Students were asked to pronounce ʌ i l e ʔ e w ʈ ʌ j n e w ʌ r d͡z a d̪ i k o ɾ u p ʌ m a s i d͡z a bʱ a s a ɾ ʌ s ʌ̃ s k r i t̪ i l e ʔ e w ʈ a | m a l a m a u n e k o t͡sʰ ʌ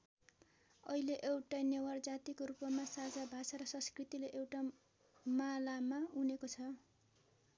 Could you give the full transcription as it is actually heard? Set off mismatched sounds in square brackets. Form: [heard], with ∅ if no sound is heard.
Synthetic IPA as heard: ʌ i l e ʔ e w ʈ [a] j n e w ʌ r d͡z a [t̪] i k o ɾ u p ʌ m a s [a] d͡z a bʱ a s a ɾ ʌ s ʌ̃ s k r i t̪ i l e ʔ e w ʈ a | m a l a m a u n e k o t͡sʰ ʌ